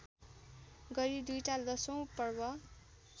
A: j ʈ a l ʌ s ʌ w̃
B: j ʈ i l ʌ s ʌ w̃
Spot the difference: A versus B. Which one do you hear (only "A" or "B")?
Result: A